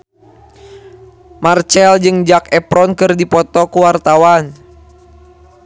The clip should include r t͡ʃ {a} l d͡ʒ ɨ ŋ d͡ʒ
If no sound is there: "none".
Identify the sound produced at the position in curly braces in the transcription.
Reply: ɛ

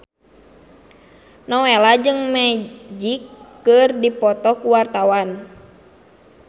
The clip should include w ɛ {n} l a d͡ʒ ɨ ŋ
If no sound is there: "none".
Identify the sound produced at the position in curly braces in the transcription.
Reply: none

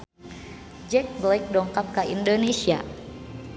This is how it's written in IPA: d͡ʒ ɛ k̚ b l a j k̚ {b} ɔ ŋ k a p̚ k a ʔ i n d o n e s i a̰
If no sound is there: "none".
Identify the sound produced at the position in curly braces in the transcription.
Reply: d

